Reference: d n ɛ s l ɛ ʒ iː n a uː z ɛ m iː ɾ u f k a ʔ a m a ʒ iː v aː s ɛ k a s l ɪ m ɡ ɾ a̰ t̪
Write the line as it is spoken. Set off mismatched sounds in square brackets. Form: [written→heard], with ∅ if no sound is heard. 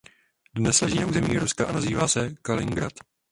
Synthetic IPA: d n ɛ s l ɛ ʒ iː n a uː z ɛ m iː ɾ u [f→s] k a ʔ a [m→n] a [ʒ→z] iː v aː s ɛ k a [s→∅] l ɪ [m→ŋ] ɡ ɾ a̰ t̪